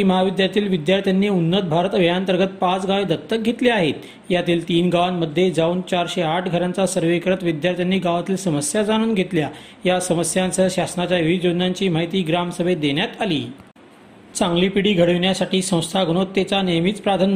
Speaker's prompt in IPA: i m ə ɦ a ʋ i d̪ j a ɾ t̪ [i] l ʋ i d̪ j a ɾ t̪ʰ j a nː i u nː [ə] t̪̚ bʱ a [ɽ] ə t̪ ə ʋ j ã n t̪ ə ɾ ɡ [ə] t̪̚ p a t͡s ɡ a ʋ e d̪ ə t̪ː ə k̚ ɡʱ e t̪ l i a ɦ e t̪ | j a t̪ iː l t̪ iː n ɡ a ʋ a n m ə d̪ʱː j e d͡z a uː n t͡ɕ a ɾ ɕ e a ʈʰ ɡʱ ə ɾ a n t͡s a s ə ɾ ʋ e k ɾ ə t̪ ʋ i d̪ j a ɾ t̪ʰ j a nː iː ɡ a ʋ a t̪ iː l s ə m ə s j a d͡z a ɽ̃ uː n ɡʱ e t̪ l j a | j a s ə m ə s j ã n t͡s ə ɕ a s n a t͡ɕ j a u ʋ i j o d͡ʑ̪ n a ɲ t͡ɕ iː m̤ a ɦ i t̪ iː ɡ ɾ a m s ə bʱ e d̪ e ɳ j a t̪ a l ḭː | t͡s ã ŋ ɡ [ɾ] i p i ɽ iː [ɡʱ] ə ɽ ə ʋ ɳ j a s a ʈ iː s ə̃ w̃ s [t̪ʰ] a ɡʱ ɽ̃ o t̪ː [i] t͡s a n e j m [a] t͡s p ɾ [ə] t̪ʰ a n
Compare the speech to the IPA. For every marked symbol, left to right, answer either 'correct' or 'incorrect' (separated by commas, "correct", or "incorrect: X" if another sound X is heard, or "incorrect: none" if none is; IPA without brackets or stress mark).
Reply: incorrect: iː, correct, incorrect: ɾ, correct, incorrect: l, correct, correct, incorrect: e, incorrect: i, incorrect: a